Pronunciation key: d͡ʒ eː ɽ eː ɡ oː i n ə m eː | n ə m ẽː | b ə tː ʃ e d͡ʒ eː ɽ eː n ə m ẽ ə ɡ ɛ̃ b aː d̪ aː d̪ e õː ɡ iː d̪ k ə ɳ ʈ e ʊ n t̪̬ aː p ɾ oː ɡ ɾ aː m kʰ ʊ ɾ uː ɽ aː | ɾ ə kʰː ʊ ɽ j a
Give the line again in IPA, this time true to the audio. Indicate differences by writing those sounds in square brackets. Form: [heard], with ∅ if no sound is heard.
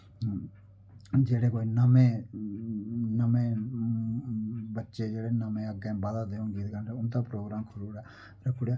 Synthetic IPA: d͡ʒ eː ɽ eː [k] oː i n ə m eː | n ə m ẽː | b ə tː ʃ e d͡ʒ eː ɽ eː n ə m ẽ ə ɡ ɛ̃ b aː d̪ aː d̪ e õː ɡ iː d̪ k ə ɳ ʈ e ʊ n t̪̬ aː p ɾ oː ɡ ɾ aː m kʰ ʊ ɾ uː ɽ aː | ɾ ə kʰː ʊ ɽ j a